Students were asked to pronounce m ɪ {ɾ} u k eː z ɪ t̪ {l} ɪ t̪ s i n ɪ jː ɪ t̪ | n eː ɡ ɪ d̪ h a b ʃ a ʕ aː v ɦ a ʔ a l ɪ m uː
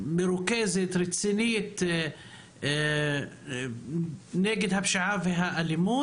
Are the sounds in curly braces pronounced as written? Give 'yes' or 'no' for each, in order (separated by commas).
yes, no